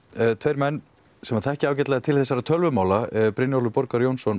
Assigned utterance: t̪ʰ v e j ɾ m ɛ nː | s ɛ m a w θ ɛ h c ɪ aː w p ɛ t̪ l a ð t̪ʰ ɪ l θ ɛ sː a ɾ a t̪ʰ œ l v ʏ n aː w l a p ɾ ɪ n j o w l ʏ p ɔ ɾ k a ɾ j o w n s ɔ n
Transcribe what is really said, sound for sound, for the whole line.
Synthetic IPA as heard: t̪ʰ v e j ɾ m ɛ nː | s ɛ m a θ ɛ h c ɪ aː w c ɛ t̪ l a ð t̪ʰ ɪ l θ ɛ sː a ɾ a t̪ʰ œ l v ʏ m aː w l a p ɾ ɪ n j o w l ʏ p ɔ ɾ k a ɾ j o w n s ɔ n